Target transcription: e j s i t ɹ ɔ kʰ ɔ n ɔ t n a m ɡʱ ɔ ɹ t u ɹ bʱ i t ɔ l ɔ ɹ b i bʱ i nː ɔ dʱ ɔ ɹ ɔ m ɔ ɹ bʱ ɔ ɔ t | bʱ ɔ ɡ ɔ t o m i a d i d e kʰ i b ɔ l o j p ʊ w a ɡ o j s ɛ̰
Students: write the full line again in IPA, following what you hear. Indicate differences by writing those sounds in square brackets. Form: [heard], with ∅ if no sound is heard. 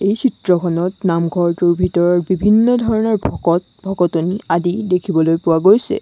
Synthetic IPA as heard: e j s i t ɹ ɔ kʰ ɔ n ɔ t n a m ɡʱ ɔ ɹ t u ɹ bʱ i t ɔ [ɹ] ɔ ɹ b i bʱ i nː ɔ dʱ ɔ ɹ ɔ [n] ɔ ɹ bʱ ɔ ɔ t | bʱ ɔ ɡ ɔ t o [n] i a d i d e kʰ i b ɔ l o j p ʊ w a ɡ o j s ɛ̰